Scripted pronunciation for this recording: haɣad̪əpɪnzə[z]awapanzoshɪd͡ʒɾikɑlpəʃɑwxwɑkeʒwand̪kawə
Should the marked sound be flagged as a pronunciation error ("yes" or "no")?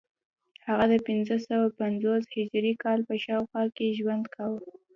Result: yes